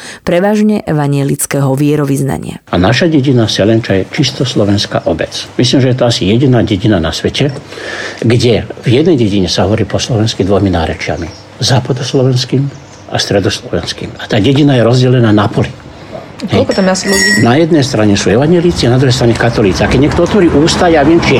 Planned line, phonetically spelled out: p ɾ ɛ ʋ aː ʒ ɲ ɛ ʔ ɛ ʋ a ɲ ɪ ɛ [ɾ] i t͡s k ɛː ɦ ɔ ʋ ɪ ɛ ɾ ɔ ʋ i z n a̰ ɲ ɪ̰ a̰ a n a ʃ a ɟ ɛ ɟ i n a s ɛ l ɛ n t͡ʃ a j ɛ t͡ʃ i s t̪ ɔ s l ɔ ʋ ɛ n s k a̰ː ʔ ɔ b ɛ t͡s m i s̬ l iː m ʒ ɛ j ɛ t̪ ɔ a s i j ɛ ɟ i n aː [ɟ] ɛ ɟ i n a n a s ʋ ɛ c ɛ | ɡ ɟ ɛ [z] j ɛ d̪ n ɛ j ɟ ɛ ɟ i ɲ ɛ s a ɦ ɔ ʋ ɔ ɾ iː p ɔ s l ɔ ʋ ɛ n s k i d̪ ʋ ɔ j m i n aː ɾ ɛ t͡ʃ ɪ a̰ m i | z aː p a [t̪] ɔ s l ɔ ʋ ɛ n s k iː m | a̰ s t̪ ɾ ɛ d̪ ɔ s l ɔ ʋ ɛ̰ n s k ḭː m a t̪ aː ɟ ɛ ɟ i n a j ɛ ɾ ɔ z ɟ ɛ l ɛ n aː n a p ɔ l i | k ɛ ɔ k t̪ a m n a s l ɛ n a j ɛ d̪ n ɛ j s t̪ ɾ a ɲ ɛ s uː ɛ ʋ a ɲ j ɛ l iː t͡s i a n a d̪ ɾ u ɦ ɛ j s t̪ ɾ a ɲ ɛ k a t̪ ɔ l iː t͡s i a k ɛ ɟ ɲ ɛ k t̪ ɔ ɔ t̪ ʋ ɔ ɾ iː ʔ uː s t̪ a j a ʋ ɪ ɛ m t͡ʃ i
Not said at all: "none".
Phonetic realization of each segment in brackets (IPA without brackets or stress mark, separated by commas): l, ɟ, v, d̪